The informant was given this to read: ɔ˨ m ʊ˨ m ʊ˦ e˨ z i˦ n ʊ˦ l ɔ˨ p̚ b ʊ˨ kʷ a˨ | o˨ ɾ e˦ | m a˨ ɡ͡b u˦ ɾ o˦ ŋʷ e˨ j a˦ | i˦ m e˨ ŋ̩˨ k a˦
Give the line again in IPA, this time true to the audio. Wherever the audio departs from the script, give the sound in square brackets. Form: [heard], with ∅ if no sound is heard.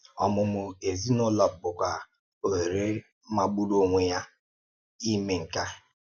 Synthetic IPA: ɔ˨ m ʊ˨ m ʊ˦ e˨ z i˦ n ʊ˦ l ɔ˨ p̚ b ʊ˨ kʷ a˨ | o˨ ɾ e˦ | m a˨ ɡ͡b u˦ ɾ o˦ ŋʷ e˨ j a˦ | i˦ m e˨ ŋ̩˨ k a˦